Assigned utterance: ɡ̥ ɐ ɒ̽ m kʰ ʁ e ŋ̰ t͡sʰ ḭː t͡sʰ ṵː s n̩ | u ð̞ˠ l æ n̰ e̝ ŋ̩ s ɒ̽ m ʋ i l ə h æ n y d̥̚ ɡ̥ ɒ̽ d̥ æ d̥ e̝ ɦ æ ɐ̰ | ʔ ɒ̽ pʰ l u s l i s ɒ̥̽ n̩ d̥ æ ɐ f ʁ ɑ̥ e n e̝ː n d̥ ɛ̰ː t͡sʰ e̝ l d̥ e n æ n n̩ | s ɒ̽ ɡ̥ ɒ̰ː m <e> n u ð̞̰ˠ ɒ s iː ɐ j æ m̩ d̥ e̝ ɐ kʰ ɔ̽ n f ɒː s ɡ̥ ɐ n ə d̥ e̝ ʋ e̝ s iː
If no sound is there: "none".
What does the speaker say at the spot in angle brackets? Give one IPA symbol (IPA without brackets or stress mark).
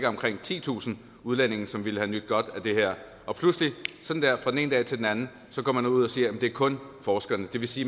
æ